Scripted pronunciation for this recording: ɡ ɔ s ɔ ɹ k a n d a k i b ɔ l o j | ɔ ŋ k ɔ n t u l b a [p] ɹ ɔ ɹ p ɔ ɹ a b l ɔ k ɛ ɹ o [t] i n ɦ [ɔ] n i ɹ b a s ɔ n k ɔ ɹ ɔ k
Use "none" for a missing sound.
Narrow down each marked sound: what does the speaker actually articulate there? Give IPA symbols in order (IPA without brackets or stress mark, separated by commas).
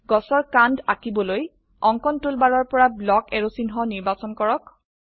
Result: none, s, ɔ